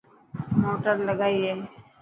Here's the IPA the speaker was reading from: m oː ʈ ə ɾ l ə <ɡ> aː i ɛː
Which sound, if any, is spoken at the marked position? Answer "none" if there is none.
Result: ɡ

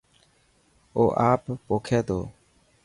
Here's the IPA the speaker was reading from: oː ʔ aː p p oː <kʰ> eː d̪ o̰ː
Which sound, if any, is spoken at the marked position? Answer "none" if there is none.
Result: kʰ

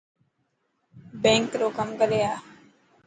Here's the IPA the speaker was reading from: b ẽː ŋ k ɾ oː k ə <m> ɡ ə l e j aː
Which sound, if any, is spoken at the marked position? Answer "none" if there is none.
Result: m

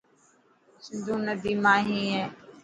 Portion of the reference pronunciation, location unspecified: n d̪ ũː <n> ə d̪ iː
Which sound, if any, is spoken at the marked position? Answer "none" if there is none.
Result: n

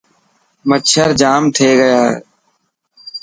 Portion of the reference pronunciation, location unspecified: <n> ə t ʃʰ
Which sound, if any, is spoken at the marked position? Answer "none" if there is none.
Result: m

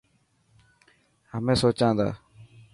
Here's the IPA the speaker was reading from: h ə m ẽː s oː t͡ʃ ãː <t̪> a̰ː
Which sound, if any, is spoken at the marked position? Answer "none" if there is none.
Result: d̪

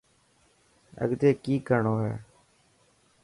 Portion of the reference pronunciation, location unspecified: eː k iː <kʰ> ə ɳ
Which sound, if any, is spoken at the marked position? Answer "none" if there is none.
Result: k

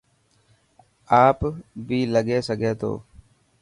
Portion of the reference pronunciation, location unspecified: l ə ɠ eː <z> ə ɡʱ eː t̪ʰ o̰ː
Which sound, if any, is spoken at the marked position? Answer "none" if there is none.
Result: s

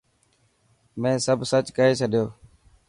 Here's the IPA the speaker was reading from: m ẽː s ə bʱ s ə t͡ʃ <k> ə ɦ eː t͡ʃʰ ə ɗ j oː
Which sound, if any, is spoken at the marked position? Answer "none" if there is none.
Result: k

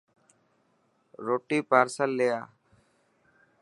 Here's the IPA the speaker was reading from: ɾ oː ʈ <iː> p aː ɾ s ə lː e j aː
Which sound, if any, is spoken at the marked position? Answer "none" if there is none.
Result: iː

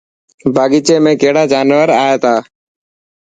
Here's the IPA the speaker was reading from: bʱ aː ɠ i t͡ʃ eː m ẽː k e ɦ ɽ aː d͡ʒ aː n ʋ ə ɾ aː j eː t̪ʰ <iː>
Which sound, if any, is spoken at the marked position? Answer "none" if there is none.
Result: aː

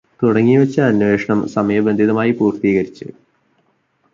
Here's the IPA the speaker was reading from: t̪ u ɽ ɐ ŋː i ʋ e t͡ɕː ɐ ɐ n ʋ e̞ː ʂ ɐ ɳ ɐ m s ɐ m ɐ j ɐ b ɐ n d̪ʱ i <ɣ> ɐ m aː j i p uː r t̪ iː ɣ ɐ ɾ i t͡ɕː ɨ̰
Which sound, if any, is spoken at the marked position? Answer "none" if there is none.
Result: ð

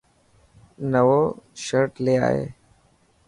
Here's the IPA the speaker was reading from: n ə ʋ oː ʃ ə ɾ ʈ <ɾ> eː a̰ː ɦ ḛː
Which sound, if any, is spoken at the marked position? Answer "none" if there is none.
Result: l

